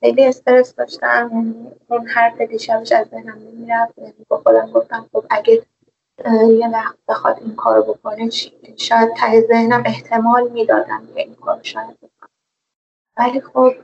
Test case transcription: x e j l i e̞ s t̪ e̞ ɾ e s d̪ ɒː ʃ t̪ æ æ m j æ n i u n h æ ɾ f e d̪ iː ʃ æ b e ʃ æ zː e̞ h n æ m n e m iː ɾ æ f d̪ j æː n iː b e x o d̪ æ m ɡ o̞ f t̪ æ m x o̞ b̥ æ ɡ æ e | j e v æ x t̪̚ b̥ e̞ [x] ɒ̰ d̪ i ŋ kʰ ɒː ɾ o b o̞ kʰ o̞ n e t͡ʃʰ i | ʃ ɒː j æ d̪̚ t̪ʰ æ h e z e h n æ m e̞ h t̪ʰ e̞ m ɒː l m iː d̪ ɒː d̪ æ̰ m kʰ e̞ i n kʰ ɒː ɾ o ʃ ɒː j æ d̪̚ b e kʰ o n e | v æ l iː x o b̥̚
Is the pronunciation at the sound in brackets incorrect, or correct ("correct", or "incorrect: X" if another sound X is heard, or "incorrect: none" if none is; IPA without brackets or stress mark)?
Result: correct